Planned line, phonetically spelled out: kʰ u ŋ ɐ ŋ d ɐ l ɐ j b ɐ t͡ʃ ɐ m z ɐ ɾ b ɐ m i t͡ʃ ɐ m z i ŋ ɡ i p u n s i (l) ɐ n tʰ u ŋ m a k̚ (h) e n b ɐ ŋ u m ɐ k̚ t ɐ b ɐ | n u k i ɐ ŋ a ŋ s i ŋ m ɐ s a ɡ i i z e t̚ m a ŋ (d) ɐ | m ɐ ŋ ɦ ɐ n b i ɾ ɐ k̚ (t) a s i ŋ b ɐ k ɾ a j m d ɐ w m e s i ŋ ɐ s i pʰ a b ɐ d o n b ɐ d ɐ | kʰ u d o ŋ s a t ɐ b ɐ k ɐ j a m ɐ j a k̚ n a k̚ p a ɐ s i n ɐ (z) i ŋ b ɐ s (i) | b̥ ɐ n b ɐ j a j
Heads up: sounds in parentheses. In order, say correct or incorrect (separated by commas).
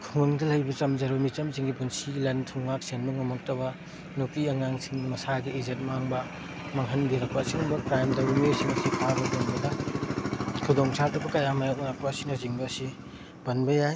correct, incorrect, incorrect, incorrect, correct, correct